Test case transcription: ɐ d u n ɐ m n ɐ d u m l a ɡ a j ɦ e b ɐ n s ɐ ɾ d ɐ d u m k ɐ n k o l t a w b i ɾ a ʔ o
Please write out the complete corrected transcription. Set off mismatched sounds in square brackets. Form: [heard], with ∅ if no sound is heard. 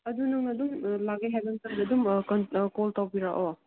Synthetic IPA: ɐ d u n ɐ [ŋ] n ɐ d u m l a ɡ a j ɦ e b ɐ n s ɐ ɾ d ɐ d u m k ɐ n k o l t a w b i ɾ a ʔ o